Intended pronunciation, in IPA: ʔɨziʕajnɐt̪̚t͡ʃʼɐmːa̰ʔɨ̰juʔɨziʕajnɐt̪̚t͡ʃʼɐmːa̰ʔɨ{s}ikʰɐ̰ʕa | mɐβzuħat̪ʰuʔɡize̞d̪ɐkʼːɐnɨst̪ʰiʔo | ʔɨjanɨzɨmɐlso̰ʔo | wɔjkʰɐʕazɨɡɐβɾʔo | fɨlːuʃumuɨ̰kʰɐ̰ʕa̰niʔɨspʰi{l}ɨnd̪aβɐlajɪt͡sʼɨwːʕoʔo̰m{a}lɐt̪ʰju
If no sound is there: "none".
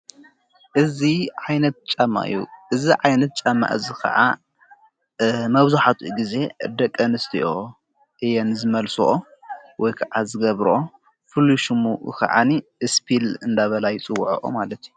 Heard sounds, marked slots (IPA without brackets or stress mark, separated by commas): z, l, a